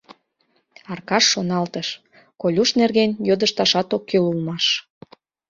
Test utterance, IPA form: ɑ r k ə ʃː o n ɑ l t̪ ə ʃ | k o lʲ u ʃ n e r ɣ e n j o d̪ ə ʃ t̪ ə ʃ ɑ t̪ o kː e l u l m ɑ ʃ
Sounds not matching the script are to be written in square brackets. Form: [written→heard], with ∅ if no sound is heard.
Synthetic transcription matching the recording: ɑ r k [ə→ɑ] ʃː o n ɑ l t̪ ə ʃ | k o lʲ u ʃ n e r ɣ e n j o d̪ ə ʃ t̪ [ə→ɑ] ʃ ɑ t̪ o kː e l u l m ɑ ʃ